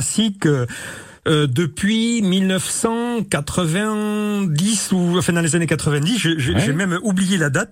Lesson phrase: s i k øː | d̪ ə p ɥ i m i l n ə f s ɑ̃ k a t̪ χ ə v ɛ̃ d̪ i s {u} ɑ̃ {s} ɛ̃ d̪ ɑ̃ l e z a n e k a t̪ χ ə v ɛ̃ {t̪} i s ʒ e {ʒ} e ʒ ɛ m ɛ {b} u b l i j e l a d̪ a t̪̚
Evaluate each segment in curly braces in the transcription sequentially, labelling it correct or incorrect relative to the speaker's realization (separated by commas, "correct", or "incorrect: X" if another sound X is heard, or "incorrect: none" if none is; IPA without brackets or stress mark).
correct, incorrect: f, incorrect: d̪, correct, incorrect: m